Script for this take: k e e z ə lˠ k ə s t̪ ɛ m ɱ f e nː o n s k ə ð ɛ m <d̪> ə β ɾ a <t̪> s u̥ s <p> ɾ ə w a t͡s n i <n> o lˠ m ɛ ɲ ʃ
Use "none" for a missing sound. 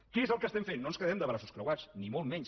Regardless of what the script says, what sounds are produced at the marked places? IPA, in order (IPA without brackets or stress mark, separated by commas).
d̪, none, k, m